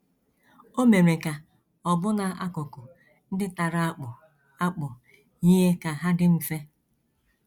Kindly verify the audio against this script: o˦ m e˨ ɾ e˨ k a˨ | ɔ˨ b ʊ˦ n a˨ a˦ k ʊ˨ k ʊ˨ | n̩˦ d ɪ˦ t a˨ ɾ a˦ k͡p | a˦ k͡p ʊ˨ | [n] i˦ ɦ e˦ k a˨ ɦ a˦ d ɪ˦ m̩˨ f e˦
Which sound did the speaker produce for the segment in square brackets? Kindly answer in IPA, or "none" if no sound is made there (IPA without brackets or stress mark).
ɲ